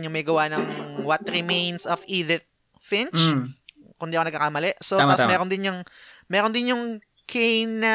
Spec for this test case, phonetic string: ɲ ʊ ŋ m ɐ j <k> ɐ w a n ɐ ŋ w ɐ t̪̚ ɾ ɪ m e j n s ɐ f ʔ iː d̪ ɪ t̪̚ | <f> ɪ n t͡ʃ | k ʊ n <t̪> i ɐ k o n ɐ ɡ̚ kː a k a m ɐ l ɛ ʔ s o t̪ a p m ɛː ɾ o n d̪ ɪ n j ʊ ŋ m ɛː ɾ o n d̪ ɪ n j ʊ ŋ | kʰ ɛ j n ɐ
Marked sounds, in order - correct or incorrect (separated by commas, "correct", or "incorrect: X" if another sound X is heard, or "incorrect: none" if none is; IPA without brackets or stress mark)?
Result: incorrect: ɡ, correct, incorrect: d̪